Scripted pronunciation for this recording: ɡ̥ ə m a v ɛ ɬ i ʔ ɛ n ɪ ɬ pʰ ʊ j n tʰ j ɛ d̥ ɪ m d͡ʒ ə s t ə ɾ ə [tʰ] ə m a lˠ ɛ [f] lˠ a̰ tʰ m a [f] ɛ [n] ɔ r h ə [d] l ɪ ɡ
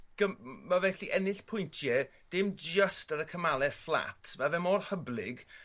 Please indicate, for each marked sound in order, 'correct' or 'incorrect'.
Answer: incorrect: kʰ, correct, incorrect: v, incorrect: m, incorrect: b

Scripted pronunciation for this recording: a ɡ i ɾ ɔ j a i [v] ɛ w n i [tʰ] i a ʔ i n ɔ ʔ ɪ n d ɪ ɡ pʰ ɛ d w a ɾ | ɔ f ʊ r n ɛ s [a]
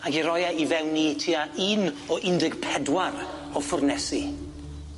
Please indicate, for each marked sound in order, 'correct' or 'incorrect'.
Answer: correct, correct, incorrect: i

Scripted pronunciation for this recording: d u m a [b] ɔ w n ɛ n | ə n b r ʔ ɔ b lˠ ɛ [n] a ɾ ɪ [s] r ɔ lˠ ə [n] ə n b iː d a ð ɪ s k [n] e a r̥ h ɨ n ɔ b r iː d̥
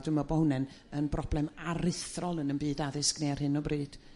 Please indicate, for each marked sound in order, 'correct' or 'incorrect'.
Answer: correct, incorrect: m, incorrect: θ, correct, correct

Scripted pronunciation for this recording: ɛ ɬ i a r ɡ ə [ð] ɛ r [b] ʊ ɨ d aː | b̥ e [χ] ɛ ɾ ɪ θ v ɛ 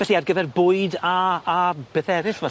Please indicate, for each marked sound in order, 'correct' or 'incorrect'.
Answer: incorrect: v, correct, incorrect: θ

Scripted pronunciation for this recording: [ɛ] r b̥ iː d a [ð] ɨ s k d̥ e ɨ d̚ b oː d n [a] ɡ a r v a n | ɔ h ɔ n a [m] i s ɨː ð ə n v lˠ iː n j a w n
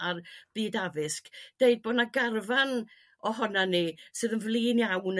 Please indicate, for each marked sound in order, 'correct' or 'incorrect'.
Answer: incorrect: a, incorrect: v, correct, incorrect: n

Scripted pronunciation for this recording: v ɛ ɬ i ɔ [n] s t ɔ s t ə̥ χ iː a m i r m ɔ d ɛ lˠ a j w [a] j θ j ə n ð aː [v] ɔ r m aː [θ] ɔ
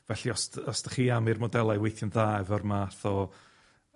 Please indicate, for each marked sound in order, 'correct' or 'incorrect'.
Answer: incorrect: none, incorrect: e, correct, correct

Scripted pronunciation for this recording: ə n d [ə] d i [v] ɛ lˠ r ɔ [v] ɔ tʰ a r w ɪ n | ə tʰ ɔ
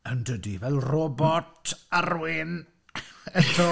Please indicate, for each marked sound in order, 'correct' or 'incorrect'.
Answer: correct, correct, incorrect: b

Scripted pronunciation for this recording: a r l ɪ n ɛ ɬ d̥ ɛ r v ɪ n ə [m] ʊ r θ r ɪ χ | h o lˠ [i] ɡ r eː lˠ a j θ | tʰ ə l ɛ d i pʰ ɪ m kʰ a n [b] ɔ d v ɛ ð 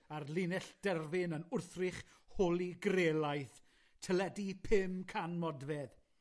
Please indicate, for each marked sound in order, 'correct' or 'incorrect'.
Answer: incorrect: n, correct, incorrect: m

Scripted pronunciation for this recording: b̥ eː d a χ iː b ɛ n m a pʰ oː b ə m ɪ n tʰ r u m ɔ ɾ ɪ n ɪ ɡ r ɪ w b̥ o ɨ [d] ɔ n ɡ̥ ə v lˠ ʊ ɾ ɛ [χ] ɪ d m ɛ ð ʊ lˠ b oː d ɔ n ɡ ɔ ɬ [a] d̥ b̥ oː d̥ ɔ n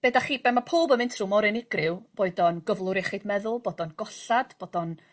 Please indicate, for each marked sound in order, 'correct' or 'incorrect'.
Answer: correct, correct, correct

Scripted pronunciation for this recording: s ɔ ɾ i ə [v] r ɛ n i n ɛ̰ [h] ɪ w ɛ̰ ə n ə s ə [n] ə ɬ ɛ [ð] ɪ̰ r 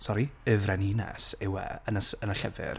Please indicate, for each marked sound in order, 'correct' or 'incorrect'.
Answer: correct, incorrect: s, correct, incorrect: v

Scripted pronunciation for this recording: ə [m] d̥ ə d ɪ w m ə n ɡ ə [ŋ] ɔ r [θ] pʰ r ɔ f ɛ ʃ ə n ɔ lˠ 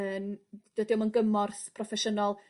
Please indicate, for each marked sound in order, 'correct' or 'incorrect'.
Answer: incorrect: n, incorrect: m, correct

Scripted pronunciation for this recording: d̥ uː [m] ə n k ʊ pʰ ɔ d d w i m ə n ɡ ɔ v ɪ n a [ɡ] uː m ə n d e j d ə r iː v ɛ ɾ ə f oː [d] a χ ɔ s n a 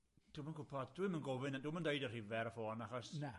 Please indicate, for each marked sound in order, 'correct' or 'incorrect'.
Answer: correct, incorrect: d, incorrect: n

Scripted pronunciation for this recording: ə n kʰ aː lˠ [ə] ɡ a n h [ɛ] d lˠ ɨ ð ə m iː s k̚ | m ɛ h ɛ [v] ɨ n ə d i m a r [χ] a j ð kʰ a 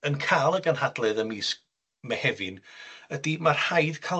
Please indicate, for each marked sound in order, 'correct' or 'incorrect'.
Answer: correct, incorrect: a, correct, incorrect: h

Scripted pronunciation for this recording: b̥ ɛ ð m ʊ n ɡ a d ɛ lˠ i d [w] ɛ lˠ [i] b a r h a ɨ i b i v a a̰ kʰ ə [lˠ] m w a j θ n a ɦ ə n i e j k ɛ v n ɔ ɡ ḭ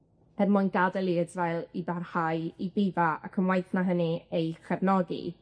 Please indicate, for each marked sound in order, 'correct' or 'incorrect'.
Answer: incorrect: v, correct, incorrect: none

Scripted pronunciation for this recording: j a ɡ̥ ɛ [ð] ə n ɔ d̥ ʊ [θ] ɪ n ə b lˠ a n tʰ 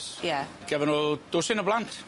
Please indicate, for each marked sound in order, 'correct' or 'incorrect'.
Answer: incorrect: v, incorrect: s

